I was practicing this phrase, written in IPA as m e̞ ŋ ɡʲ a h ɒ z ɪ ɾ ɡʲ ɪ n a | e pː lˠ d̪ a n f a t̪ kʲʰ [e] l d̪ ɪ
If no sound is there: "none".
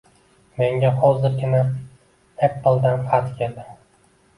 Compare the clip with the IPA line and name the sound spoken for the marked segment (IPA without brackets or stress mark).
e